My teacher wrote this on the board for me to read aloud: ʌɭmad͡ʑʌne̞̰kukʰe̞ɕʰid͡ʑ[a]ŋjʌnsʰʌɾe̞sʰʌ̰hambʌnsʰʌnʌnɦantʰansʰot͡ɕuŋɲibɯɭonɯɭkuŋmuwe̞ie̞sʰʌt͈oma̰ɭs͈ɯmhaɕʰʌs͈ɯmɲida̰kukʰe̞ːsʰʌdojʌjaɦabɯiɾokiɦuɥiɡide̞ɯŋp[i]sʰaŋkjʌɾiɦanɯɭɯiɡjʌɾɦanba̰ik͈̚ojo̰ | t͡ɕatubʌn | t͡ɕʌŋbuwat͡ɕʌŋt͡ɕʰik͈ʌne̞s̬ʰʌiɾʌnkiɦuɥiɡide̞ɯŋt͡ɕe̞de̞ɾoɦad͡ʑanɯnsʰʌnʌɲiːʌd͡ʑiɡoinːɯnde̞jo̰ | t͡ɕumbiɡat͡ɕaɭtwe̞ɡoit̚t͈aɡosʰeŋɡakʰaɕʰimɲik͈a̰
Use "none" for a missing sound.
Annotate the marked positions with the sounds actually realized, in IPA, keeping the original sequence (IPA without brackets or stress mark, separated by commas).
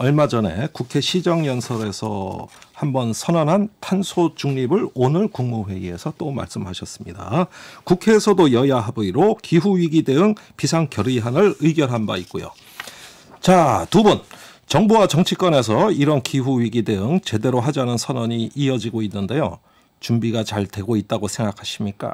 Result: ʌ, i